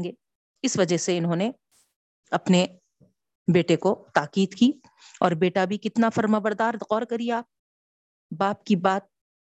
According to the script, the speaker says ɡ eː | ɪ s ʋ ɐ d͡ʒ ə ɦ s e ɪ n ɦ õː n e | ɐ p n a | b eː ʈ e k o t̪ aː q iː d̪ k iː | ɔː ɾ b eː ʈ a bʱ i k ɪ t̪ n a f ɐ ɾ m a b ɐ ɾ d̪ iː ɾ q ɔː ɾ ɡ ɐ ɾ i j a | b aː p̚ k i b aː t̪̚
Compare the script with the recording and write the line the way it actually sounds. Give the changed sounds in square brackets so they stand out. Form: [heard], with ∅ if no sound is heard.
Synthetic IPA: ɡ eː | ɪ s ʋ ɐ d͡ʒ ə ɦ s e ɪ n ɦ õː n e | ɐ p n [e] | b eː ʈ e k o t̪ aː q iː d̪ k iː | ɔː ɾ b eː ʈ a bʱ i k ɪ t̪ n a f ɐ ɾ m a b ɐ ɾ d̪ [aː] ɾ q ɔː ɾ [k] ɐ ɾ i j a | b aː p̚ k i b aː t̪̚